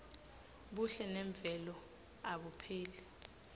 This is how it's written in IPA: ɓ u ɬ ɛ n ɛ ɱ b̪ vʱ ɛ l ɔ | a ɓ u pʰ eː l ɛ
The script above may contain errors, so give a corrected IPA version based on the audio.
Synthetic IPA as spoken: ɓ u ɬ ɛ n ɛ ɱ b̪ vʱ ɛ l ɔ | a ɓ u pʰ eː l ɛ

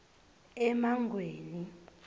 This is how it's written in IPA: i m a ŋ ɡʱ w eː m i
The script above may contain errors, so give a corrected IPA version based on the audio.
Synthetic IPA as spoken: ɛ m a ŋ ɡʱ w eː n i

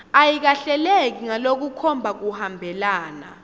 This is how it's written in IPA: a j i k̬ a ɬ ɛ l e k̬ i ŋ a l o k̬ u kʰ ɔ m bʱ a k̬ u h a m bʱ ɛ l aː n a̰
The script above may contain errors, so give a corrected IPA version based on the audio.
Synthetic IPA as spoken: a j i k̬ a ɬ ɛ l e k̬ i ŋ a l o k̬ u kʰ ɔ m bʱ a k̬ u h a m bʱ ɛ l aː n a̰

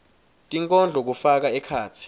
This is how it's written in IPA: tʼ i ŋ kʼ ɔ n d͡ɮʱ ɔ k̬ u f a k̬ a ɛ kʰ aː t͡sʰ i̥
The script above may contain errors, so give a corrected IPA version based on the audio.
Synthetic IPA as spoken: tʼ i ŋ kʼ ɔ n d͡ɮʱ ɔ k̬ u f a k̬ a ɛ kʰ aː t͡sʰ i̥

